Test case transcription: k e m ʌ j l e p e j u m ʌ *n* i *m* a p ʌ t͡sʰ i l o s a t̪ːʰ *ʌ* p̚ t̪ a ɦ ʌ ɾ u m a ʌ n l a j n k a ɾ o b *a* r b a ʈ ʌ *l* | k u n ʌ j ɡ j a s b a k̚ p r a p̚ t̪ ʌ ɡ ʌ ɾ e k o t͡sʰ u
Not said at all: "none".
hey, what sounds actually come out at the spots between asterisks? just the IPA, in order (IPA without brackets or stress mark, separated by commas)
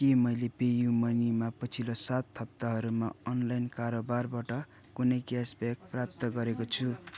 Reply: n, m, ʌ, a, none